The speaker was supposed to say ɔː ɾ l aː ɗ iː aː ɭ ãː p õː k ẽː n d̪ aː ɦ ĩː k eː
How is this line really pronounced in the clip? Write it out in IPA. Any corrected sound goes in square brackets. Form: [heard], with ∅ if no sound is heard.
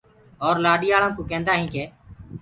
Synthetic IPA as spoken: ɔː ɾ l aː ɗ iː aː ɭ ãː [k] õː k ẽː n d̪ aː ɦ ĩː k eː